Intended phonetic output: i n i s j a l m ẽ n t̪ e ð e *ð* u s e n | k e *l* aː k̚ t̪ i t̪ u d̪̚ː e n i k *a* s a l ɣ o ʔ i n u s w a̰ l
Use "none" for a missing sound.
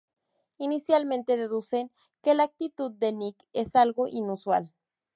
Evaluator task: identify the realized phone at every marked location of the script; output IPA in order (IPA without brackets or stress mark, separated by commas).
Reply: ð, l, e